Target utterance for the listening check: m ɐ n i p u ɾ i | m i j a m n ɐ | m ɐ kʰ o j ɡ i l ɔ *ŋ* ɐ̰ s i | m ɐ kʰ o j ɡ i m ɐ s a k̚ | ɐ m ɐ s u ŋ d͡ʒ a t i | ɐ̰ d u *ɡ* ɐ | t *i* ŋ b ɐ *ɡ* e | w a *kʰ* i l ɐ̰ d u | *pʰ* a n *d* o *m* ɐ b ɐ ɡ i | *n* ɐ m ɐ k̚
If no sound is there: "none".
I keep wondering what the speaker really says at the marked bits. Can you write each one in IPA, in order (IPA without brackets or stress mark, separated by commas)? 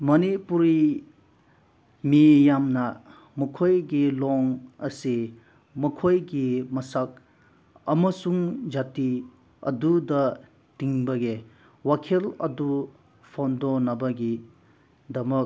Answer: ŋ, d, i, ɡ, kʰ, pʰ, d, n, d